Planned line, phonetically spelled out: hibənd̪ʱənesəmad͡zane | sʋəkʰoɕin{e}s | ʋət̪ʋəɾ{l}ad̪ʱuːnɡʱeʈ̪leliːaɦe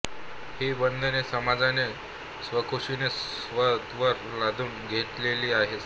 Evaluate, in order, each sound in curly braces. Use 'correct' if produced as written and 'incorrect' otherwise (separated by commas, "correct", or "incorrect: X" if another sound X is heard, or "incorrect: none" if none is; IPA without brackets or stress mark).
correct, correct